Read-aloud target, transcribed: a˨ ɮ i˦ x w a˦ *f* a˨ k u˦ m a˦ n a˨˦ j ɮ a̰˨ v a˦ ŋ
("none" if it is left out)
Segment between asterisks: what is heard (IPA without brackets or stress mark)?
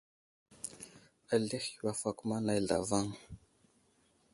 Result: f